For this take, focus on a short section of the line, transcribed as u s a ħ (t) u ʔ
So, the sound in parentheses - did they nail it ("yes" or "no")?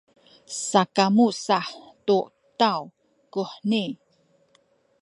yes